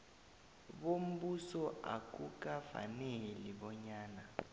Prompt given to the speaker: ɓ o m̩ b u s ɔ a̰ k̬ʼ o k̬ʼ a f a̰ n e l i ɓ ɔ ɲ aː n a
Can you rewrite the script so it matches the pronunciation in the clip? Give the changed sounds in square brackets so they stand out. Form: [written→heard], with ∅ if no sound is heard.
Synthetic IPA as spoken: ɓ o m̩ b u s ɔ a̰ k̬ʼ [o→u] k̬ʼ a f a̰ n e l i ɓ ɔ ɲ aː n a